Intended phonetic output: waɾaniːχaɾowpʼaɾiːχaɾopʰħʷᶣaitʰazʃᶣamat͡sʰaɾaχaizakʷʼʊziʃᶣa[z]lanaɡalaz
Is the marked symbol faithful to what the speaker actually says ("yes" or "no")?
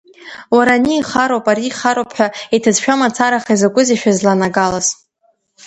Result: yes